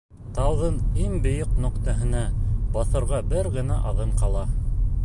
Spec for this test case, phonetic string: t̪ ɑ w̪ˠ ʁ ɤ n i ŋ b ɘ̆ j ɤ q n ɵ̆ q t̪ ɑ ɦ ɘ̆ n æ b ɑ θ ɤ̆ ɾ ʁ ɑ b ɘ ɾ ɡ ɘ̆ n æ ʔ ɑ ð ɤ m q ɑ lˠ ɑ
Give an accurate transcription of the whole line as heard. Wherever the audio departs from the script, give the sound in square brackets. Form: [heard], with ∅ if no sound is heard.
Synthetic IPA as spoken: t̪ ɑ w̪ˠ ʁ ɤ n i ŋ b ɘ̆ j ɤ q n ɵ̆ q t̪ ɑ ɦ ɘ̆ n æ b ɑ θ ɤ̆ ɾ ʁ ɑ b ɘ ɾ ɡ ɘ̆ n æ ʔ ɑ ð ɤ [ɴ] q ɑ lˠ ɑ